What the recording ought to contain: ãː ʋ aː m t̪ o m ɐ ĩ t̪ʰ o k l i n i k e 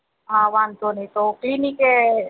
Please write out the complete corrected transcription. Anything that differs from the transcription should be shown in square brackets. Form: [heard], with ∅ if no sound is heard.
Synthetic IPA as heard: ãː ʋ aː [n] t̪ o [n] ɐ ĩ [t̪] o k l i n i k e